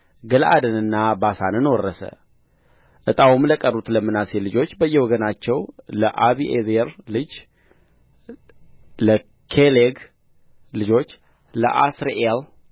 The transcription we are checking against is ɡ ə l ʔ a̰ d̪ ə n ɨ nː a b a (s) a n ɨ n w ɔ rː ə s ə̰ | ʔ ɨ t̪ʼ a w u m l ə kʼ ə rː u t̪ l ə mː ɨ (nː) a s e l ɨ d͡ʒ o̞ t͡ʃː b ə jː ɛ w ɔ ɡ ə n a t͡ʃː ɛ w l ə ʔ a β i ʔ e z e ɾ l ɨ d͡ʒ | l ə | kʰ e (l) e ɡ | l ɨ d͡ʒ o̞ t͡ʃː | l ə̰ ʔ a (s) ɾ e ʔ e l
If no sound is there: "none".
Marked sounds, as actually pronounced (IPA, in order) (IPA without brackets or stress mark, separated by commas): s, n, l, s